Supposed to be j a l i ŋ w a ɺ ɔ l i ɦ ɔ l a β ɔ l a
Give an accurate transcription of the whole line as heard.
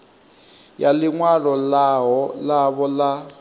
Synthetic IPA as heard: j a l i ŋ w a ɺ ɔ l a ɦ ɔ l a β ɔ l a